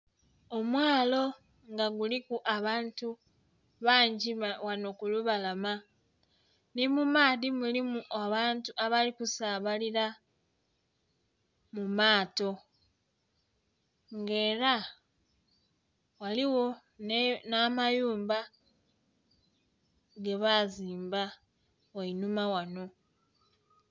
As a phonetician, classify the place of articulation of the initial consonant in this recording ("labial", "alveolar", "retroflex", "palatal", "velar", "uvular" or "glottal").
labial